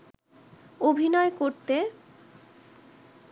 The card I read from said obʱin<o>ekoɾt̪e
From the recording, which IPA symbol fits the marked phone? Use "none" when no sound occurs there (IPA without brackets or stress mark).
ɔ